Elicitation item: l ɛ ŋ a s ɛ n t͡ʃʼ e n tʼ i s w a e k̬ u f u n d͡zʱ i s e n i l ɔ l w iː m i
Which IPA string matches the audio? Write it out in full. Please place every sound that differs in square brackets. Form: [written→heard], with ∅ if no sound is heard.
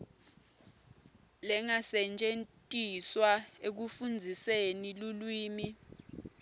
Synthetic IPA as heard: l ɛ ŋ a s ɛ n t͡ʃʼ e n tʼ i s w a e k̬ u f u n d͡zʱ i s e n i l [ɔ→u] l w iː m i